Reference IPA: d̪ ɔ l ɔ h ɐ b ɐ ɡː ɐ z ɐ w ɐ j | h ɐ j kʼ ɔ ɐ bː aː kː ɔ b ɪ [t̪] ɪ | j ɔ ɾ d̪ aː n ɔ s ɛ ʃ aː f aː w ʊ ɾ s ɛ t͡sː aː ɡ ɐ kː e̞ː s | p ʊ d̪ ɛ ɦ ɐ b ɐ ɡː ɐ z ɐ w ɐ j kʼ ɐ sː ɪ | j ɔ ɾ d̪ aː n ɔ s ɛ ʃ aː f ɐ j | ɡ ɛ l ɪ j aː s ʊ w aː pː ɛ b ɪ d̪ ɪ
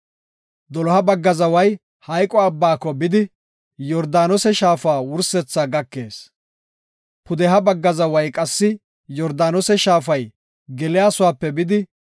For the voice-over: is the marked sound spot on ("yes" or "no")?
no